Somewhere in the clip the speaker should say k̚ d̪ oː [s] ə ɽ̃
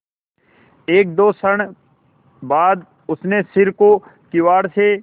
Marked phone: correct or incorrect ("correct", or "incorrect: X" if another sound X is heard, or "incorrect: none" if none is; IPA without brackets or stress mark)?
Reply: correct